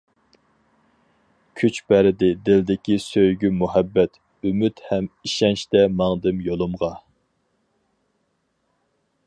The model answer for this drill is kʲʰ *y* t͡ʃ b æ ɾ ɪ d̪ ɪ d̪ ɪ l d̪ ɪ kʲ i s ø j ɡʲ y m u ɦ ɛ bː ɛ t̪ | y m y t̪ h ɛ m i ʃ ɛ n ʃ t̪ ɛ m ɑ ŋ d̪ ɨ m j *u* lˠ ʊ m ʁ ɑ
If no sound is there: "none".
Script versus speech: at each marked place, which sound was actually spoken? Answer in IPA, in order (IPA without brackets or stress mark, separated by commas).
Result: y, o